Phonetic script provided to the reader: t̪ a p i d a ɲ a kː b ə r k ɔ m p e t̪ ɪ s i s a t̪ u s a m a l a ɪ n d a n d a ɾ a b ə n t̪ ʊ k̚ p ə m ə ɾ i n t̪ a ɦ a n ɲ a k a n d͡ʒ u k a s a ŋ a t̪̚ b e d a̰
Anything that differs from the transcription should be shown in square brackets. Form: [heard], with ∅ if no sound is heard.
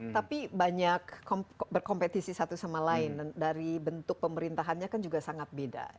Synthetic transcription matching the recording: t̪ a p i [b] a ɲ a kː b ə r k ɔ m p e t̪ [i] s i s a t̪ u s a m a l a ɪ n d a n d a ɾ [i] b ə n t̪ ʊ k̚ p ə m ə ɾ i n t̪ a ɦ a n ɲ a k a n d͡ʒ u [ɡ] a s a ŋ a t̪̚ b e d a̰

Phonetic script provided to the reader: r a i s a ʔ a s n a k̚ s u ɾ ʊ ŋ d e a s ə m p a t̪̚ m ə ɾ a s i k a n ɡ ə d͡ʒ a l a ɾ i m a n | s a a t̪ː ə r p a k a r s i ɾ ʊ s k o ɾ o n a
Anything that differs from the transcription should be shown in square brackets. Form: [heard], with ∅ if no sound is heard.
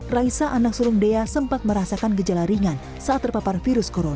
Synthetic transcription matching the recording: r a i s a ʔ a [∅] n a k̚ s u ɾ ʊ ŋ d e a s ə m p a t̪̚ m ə ɾ a s [a] k a n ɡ ə d͡ʒ a l a ɾ i [ŋ] a n | s a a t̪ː ə r p a [p] a r [f] i ɾ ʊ s k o ɾ o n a

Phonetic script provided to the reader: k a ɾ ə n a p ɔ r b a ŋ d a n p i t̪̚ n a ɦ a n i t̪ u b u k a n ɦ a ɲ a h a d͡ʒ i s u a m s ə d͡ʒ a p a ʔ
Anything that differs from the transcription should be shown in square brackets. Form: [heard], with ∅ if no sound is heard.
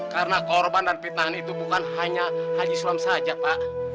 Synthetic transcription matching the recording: k a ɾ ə n a [k] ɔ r b a [n] d a n p i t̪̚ n a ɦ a n i t̪ u b u k a n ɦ a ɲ a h a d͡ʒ i s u a m s [a] d͡ʒ a p a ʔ

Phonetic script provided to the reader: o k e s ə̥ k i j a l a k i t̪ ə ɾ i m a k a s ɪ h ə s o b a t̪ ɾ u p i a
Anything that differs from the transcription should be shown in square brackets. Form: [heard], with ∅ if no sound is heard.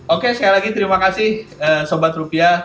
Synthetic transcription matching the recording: o k e s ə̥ k [a] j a l a [ɡ] i t̪ ə ɾ i m a k a s ɪ h ə s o b a t̪ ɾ u p i a

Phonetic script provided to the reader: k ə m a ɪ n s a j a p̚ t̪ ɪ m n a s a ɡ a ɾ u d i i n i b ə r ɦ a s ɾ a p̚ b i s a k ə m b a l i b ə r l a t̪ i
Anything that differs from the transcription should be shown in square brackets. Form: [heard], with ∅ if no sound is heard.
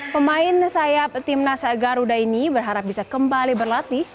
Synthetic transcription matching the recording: [p] ə m a ɪ n s a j a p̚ t̪ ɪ m n a s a ɡ a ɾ u d [a] i n i b ə r ɦ a [∅] ɾ a p̚ b i s a k ə m b a l i b ə r l a t̪ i

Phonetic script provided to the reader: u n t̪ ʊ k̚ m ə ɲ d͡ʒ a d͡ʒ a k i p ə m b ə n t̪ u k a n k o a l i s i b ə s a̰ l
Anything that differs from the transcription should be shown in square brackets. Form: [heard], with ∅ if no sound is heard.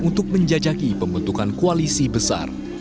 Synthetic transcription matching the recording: u n t̪ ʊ k̚ m ə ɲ d͡ʒ a d͡ʒ a k i p ə m b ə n t̪ u k a n k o a l i s i b ə s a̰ [r]

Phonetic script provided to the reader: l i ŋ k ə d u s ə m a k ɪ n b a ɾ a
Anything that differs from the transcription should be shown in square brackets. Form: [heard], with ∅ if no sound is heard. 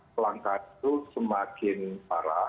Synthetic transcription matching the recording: l [a] ŋ k [a] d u s ə m a k ɪ n [p] a ɾ a

